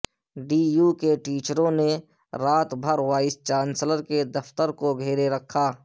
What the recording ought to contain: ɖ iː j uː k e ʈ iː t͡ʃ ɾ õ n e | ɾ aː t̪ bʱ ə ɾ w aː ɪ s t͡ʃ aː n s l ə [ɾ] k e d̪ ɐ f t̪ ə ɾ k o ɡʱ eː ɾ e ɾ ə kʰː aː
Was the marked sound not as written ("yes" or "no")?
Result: no